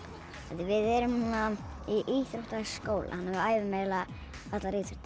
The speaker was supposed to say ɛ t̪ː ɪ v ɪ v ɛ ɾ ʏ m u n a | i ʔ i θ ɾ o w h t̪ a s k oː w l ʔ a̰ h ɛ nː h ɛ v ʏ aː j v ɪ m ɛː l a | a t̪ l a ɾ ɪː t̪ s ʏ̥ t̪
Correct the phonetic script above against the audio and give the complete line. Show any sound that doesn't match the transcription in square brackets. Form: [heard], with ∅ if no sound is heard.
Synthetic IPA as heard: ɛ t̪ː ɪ v ɪ [ð] ɛ ɾ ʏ m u n a | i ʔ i θ ɾ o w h t̪ a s k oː w l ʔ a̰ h [a] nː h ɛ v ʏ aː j v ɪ m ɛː l a | a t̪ l a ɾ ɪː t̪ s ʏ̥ t̪